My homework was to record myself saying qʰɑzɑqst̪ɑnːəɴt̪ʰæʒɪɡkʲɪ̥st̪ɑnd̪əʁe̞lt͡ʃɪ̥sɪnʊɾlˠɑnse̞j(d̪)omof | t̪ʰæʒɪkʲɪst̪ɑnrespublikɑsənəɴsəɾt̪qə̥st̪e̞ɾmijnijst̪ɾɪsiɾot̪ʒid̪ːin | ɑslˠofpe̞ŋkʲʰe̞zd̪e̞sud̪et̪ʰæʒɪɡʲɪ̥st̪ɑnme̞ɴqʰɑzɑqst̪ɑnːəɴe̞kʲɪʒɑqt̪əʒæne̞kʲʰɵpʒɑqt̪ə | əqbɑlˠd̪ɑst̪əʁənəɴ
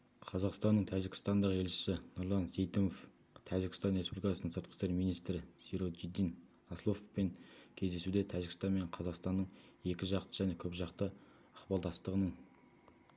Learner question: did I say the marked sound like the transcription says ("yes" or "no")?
no